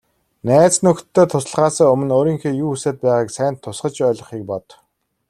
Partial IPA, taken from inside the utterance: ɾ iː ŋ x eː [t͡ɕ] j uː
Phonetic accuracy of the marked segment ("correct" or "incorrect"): incorrect